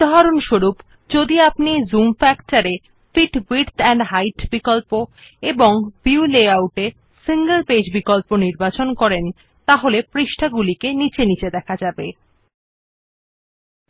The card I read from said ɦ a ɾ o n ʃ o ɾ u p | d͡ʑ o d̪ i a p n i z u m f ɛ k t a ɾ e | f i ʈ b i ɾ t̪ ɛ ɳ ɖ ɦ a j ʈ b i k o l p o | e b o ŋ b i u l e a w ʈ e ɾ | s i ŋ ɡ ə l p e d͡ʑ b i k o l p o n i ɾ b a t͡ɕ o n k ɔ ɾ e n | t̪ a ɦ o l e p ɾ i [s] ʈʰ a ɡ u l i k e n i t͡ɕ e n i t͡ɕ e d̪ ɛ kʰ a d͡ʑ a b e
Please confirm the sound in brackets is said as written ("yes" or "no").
no